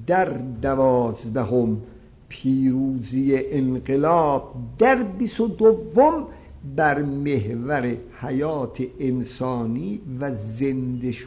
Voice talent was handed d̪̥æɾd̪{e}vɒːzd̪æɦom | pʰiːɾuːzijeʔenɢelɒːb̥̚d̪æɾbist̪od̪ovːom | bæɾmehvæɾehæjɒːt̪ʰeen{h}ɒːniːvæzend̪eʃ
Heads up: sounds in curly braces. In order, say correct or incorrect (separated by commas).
incorrect, incorrect